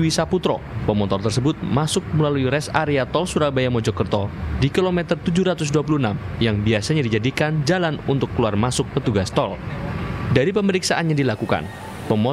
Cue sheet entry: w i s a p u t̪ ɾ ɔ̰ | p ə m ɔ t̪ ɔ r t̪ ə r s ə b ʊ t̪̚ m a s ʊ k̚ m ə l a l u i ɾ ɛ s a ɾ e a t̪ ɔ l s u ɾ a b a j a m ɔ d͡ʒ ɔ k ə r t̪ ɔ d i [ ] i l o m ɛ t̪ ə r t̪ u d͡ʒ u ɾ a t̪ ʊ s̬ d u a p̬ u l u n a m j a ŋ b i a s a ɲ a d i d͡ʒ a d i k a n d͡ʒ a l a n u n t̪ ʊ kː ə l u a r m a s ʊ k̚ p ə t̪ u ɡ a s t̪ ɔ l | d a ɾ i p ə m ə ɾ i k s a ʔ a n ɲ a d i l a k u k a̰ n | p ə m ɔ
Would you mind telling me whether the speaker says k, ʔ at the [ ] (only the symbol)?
k